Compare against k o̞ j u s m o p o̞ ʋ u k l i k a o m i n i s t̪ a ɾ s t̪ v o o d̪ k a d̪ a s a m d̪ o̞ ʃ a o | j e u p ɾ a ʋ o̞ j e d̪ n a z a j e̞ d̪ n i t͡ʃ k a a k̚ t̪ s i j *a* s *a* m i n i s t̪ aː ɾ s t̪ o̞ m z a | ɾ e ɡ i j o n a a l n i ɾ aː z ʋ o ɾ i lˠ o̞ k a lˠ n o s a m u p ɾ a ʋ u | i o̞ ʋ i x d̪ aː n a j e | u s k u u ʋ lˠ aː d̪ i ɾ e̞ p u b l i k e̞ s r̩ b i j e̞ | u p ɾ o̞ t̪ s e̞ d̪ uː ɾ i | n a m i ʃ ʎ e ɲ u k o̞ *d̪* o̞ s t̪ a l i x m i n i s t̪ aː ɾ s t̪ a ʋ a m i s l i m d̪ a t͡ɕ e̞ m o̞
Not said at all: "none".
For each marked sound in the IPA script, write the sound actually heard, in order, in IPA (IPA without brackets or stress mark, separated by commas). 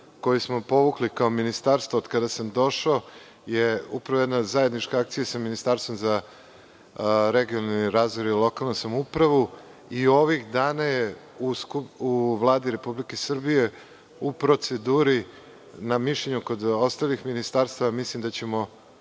a, a, d̪